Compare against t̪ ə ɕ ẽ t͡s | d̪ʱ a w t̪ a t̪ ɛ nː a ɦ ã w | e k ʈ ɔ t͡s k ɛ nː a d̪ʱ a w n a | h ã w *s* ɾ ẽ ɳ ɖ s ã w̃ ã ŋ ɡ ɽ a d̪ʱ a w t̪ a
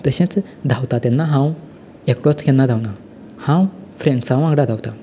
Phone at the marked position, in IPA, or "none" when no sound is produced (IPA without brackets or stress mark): f